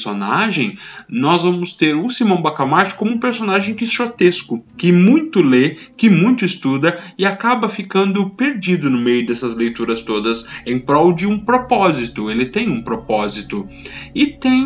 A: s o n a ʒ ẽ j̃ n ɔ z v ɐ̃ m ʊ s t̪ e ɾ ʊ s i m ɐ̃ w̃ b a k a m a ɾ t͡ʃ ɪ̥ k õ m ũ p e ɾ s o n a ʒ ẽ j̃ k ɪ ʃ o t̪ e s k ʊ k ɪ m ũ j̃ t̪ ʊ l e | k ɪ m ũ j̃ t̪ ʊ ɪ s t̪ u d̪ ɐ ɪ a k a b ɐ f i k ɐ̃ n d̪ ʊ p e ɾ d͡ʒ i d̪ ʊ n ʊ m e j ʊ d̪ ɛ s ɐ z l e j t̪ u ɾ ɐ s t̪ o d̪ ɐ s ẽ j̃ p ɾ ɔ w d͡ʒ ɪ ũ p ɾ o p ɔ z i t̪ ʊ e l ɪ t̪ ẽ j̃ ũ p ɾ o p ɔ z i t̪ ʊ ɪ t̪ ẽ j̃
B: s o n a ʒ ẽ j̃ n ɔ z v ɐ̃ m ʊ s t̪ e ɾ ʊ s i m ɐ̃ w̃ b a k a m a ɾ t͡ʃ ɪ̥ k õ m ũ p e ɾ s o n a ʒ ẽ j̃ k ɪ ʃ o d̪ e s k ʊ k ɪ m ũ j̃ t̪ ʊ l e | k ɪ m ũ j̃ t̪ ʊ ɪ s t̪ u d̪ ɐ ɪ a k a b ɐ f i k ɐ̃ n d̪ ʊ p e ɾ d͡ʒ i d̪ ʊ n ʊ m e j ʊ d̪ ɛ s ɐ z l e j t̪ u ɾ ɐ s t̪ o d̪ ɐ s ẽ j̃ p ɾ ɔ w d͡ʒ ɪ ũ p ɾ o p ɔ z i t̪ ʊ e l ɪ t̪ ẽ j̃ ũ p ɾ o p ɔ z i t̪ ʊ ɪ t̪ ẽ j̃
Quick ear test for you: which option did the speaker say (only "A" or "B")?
A